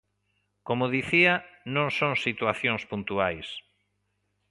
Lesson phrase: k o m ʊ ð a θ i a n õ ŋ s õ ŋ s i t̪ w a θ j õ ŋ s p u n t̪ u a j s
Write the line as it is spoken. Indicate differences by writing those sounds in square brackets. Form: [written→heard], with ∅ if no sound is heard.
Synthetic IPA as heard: k o m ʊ ð [a→i] θ i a n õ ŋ s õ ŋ s i t̪ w a θ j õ ŋ s p u n t̪ u a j s